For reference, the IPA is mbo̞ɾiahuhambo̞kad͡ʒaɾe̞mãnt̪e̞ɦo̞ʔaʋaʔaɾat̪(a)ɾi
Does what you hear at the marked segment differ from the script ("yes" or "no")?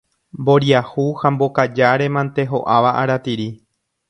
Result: yes